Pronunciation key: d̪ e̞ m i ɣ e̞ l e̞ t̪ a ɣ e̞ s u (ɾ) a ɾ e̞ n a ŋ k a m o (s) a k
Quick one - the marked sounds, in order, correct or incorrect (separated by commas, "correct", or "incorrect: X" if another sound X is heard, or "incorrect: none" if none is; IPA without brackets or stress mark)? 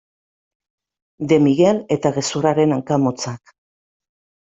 correct, incorrect: t͡s